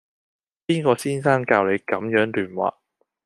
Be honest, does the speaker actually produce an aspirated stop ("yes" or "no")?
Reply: no